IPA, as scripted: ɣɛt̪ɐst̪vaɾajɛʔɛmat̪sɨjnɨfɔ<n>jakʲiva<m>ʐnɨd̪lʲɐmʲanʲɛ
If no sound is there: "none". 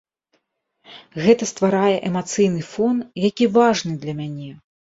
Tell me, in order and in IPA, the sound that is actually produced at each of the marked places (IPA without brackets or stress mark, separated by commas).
n, none